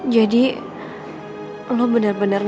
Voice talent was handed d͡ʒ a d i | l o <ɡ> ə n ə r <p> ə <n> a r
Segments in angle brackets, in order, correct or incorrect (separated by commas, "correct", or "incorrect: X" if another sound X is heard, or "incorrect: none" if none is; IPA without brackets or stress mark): incorrect: b, incorrect: b, correct